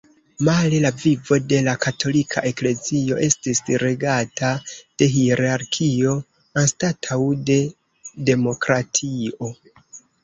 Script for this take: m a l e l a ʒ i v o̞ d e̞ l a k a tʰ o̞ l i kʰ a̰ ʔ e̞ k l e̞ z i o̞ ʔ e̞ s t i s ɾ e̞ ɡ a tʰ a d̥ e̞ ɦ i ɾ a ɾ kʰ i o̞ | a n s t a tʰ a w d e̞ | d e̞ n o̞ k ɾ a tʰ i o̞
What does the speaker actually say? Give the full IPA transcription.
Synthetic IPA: m a l e l a v i v o̞ d e̞ l a k a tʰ o̞ l i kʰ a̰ ʔ e̞ k l e̞ z i o̞ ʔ e̞ s t i s ɾ e̞ ɡ a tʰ a d̥ e̞ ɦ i ɾ a ɾ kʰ i o̞ | a n s t a tʰ a w d e̞ | d e̞ m o̞ k ɾ a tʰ i o̞